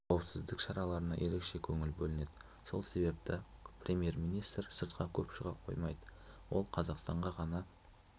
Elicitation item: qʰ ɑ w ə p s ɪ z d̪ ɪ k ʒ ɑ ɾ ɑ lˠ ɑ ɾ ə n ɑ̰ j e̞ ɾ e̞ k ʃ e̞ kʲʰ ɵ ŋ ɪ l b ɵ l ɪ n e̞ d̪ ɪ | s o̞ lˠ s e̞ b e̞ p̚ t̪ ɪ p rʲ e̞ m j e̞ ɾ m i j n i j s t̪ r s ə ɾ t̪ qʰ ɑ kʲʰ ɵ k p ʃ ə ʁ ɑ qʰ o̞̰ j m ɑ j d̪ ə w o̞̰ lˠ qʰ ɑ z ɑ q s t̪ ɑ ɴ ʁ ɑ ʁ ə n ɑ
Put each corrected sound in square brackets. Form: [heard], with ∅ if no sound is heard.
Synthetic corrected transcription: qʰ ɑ w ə p s ɪ z d̪ ɪ k [ʃ] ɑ ɾ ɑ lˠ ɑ ɾ ə n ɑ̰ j e̞ ɾ e̞ k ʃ e̞ kʲʰ ɵ ŋ ɪ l b ɵ l ɪ n e̞ d̪ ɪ | s o̞ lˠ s e̞ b e̞ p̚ t̪ ɪ p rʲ e̞ m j e̞ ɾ m i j n i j s t̪ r s ə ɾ t̪ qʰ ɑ kʲʰ ɵ [∅] p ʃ ə ʁ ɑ qʰ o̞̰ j m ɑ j d̪ ə w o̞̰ lˠ qʰ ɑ z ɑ q s t̪ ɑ ɴ ʁ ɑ ʁ [ɑ] n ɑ